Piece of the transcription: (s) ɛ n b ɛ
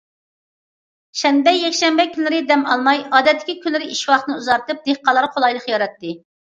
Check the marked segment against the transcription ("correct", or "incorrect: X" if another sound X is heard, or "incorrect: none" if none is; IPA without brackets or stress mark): incorrect: ʃ